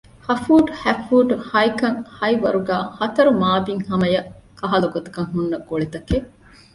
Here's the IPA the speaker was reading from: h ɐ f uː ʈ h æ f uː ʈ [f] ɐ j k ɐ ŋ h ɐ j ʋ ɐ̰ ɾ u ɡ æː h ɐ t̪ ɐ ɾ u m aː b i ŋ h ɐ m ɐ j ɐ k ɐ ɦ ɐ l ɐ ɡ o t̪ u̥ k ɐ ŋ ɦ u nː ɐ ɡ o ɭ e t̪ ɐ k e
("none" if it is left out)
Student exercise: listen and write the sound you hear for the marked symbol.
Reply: h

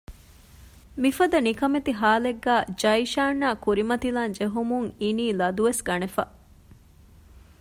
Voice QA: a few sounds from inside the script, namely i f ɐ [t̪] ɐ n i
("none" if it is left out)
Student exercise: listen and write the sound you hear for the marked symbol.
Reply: d̪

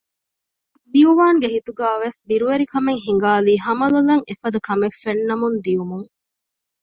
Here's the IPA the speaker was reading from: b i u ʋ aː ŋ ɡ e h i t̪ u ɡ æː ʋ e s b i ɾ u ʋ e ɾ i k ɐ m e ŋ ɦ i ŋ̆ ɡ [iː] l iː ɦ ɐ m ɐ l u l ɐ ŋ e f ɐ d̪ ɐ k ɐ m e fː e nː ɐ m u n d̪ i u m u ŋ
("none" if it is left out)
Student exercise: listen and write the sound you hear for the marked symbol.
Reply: aː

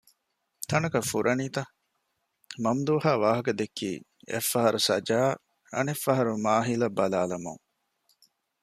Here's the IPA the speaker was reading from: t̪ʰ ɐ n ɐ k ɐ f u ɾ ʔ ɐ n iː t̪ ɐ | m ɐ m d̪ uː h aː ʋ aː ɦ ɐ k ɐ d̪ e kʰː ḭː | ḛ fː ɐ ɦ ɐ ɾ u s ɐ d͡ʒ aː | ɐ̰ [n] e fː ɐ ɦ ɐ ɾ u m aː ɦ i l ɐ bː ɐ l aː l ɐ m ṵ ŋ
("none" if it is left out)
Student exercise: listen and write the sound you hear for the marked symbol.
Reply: n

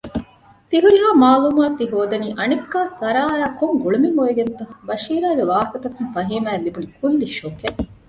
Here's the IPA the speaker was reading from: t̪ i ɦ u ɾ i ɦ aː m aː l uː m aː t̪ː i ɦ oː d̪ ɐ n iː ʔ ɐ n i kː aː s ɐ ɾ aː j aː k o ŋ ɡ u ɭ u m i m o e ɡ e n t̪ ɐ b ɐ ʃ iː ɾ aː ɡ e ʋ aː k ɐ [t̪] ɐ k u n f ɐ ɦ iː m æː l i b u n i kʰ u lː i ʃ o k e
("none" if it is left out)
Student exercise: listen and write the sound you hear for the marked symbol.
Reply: t̪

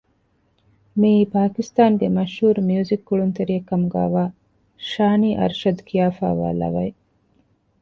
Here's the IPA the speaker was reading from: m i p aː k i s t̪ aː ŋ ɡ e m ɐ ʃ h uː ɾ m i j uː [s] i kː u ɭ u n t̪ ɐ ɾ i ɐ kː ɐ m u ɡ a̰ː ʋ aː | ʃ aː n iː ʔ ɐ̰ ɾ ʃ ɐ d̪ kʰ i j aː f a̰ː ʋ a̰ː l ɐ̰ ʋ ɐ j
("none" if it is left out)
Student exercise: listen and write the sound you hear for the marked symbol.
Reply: z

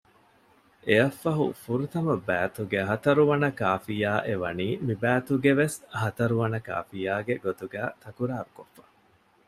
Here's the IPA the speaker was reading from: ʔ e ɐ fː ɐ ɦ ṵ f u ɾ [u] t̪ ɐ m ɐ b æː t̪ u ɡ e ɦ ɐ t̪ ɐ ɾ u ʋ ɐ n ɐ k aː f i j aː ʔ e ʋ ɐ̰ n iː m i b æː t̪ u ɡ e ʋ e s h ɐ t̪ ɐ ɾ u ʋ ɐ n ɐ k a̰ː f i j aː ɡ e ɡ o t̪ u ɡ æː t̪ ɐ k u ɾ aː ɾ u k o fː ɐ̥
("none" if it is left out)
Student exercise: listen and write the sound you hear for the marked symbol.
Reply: u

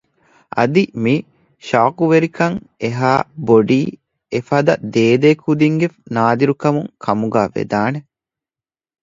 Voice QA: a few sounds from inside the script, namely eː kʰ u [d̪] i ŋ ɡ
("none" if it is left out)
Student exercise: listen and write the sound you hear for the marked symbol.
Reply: d̪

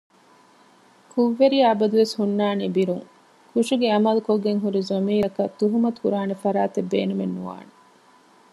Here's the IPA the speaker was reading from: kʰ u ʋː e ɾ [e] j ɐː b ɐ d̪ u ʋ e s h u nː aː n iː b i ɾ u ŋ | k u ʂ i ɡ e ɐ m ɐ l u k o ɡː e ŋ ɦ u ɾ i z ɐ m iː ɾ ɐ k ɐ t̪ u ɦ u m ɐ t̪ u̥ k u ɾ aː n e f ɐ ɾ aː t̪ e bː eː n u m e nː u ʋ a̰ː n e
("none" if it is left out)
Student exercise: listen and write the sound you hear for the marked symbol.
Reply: i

